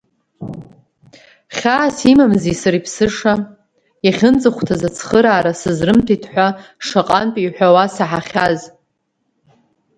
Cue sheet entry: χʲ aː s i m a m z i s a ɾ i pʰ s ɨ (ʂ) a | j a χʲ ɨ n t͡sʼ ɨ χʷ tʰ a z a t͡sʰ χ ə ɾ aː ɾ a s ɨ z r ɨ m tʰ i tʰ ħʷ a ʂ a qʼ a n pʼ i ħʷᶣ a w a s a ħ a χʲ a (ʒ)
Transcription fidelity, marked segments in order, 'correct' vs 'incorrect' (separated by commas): correct, incorrect